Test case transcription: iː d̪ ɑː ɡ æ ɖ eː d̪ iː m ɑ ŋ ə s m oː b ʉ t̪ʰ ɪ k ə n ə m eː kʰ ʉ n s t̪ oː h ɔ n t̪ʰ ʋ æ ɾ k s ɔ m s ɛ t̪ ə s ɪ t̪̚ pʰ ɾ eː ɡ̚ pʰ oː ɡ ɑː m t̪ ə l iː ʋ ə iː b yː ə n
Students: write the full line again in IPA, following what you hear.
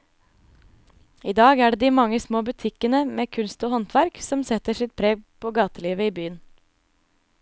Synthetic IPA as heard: iː d̪ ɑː ɡ æː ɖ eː d̪ iː m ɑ ŋ ə s m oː b ʉ t̪ʰ ɪ k ə n ə m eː kʰ ʉ n s t̪ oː h ɔ n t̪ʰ ʋ æ ɾ k s ɔ m s ɛ t̪ ə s ɪ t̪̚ pʰ ɾ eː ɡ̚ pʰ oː ɡ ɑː t̪ ə l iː ʋ ə iː b yː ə n

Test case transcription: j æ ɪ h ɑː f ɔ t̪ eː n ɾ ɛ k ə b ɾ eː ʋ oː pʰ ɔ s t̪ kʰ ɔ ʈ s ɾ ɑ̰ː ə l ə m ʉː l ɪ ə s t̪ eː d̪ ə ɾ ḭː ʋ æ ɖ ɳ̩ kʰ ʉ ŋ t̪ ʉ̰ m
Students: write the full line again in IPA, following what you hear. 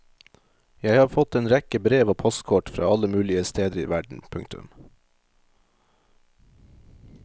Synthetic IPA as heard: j æ ɪ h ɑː f ɔ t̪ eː n ɾ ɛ k ə b ɾ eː ʋ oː pʰ ɔ s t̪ kʰ ɔ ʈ f ɾ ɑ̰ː ɑ l ə m ʉː l ɪ ə s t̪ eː d̪ ə ɾ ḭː ʋ æ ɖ ɳ̩ pʰ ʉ ŋ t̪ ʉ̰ m

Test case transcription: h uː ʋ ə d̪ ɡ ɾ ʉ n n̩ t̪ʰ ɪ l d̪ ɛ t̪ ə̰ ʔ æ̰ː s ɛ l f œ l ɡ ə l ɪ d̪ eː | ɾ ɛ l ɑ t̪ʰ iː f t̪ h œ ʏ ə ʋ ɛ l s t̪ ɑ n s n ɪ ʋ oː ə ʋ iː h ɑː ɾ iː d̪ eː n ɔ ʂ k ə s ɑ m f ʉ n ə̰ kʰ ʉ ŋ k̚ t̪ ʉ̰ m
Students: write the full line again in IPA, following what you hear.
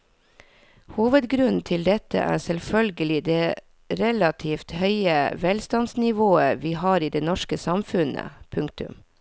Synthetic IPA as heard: h uː ʋ ə d̪ ɡ ɾ ʉ n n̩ t̪ʰ ɪ l d̪ ɛ t̪ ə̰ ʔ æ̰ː s ɛ l f œ l ɡ ə l ɪ d̪ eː | ɾ ɛ l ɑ t̪ʰ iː f t̪ h œ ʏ ə ʋ ɛ l s t̪ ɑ n s n ɪ ʋ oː ə ʋ iː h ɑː ɾ iː d̪ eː n ɔ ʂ k ə s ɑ m f ʉ n ə̰ pʰ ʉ ŋ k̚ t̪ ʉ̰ m

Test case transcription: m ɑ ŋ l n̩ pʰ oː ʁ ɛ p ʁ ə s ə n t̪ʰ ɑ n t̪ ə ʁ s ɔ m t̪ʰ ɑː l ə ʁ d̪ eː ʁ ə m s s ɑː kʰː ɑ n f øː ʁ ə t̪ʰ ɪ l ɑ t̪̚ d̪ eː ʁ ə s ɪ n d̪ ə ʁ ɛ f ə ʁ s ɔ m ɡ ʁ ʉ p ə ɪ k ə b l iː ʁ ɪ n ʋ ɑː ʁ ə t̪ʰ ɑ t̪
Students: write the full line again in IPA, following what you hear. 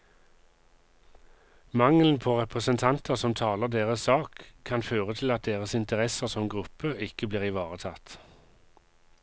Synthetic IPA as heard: m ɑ ŋ l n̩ pʰ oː ʁ ɛ p ʁ ə s ə n t̪ʰ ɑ n t̪ ə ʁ s ɔ m t̪ʰ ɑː l ə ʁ d̪ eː ʁ ə s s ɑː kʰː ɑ n f øː ʁ ə t̪ʰ ɪ l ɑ t̪̚ d̪ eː ʁ ə s ɪ n t̪ ə ʁ ɛ s ə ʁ s ɔ m ɡ ʁ ʉ p ə ɪ k ə b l iː ʁ ɪ ʋ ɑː ʁ ə t̪ʰ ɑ t̪

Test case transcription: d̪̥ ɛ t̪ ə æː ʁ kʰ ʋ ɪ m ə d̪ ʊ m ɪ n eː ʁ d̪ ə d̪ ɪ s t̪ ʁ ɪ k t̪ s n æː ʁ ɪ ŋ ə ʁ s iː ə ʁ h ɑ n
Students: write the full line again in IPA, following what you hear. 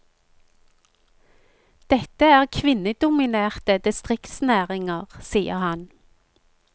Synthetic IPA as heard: d̪̥ ɛ t̪ ə æː ʁ kʰ ʋ ɪ n ə d̪ ʊ m ɪ n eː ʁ t̪ ə d̪ ɪ s t̪ ʁ ɪ k t̪ s n æː ʁ ɪ ŋ ə ʁ s iː ə ʁ h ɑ n

